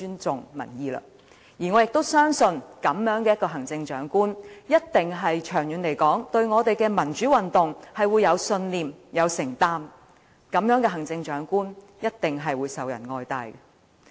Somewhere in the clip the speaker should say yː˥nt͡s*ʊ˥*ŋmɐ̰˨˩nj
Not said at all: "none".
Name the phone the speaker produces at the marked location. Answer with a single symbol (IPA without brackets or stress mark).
ʊ˨